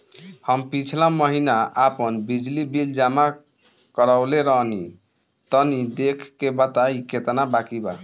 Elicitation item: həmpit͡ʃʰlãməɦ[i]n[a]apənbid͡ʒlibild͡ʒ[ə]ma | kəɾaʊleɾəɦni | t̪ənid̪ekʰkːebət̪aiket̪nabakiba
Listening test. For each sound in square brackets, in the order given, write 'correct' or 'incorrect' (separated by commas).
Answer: correct, correct, incorrect